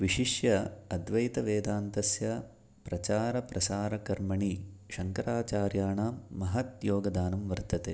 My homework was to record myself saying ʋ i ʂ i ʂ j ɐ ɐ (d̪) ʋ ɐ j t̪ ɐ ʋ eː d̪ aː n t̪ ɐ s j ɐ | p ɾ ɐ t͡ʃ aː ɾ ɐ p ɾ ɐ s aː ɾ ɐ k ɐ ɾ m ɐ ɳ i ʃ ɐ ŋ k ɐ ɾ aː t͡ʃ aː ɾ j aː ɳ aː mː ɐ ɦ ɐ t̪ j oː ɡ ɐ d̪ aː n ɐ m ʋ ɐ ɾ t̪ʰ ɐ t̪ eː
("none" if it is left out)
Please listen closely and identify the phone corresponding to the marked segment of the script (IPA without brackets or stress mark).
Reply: d̪